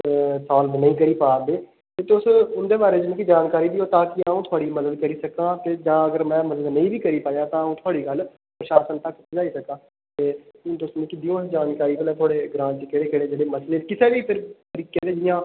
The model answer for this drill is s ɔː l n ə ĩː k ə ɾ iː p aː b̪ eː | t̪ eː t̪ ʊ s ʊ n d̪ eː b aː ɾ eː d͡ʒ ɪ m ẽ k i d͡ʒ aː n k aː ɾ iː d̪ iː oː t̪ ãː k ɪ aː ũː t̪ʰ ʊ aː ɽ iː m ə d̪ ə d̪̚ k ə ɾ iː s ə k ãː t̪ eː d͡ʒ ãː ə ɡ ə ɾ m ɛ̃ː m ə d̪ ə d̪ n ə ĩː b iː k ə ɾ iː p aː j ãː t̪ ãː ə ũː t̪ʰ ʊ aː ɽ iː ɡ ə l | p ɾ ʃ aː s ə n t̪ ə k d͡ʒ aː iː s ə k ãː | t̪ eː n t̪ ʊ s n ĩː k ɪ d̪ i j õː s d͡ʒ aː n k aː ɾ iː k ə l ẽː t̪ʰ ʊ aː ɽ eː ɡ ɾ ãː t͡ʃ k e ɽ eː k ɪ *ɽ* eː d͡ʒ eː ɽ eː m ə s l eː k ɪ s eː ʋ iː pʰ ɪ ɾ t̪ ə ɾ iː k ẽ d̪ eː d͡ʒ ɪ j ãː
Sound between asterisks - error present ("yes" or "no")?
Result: no